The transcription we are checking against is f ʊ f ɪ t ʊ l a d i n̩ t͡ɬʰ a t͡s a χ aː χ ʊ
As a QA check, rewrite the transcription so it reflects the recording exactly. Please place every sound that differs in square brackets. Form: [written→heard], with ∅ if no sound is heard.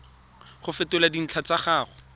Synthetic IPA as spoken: [f→χ] ʊ f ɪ t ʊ l a d i n̩ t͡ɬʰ a t͡s a χ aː χ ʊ

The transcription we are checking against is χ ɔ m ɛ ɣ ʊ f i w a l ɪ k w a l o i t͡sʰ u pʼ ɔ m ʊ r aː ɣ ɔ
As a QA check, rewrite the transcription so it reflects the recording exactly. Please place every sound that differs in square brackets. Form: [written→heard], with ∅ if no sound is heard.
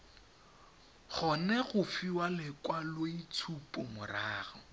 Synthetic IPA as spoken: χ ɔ [m→n] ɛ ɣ ʊ f i w a l ɪ k w a l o i t͡sʰ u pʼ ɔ m ʊ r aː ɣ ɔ

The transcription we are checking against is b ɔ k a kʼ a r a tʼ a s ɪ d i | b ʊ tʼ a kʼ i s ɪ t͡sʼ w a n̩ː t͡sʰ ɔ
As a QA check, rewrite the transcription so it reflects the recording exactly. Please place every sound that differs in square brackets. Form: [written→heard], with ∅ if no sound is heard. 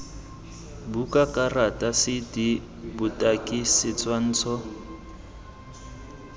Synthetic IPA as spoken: b [ɔ→u] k a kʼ a r a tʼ a s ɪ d i | b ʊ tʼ a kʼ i s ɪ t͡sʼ w a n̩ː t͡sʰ ɔ

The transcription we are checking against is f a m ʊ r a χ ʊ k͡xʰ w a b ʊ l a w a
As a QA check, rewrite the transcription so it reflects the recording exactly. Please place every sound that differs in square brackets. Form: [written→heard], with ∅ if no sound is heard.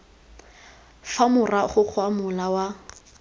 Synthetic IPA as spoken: f a m ʊ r a χ ʊ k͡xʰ w a [b→m] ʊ l a w a

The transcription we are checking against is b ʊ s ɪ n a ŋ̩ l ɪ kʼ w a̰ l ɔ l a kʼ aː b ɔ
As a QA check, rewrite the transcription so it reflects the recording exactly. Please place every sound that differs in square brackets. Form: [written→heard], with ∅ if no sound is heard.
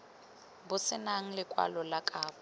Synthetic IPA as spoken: b ʊ s ɪ n a ŋ̩ l ɪ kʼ w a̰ l ɔ l a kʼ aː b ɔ

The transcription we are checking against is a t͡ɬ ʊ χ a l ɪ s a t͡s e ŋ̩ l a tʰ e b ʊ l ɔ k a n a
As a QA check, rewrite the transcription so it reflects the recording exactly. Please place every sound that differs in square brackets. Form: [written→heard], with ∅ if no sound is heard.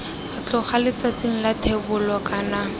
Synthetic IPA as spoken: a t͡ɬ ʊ χ a l ɪ [s→t͡s] a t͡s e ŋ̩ l a tʰ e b ʊ l ɔ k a n a

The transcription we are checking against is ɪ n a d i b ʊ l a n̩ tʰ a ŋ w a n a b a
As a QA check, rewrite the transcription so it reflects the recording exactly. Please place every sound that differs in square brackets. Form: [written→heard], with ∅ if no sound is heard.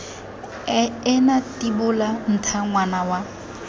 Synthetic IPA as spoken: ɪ n a [d→t] i b ʊ l a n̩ tʰ a ŋ w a n a [b→w] a

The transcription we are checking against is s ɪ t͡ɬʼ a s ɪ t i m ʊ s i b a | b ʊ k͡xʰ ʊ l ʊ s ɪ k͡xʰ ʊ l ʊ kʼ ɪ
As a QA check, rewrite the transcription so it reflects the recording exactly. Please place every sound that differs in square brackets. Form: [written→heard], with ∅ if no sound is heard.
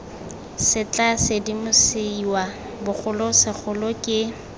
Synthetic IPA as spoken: s ɪ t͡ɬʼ a s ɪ [t→d] i m ʊ s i [b→w] a | b ʊ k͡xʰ ʊ l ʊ s ɪ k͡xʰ ʊ l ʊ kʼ ɪ

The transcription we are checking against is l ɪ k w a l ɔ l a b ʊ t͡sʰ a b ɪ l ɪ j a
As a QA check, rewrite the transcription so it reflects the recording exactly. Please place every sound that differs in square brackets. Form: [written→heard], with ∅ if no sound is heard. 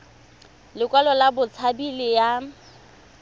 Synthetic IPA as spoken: l ɪ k w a l ɔ l a b ʊ t͡sʰ a b [ɪ→i] l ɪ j a

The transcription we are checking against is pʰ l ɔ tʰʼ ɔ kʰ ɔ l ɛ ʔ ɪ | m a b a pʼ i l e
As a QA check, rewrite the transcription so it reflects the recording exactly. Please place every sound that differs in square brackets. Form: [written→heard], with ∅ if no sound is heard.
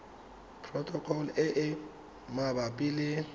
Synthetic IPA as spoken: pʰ [l→r] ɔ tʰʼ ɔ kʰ ɔ l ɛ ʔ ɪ | m a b a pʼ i l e

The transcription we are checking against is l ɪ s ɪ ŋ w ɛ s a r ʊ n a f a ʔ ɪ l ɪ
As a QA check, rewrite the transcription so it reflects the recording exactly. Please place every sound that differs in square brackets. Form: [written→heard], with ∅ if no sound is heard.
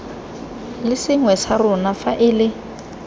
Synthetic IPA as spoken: l ɪ s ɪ ŋ w ɛ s a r ʊ n a f a ʔ ɪ l ɪ

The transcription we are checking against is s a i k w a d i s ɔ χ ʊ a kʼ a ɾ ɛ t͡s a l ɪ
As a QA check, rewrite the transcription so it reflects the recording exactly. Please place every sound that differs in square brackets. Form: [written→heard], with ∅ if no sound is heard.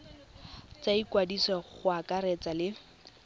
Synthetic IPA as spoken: [s→t͡s] a i k w a d i s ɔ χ ʊ a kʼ a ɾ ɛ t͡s a l ɪ

